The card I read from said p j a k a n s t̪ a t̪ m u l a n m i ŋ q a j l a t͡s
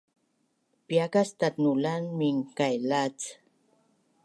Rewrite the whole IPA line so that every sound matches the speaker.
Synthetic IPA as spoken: p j a k a s t̪ a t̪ n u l a n m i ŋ k a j l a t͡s